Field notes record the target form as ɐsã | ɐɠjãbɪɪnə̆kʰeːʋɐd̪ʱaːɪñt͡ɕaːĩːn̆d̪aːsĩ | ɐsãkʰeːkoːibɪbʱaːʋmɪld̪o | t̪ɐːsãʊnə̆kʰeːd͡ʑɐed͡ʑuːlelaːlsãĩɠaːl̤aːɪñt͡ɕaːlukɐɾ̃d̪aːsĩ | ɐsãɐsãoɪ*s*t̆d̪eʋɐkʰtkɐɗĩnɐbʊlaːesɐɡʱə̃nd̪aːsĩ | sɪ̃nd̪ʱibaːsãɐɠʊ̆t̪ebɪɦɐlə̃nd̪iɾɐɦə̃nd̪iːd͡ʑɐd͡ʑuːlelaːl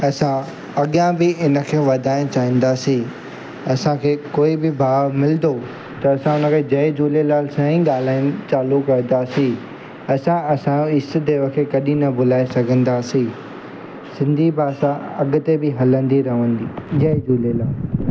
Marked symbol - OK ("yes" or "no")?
yes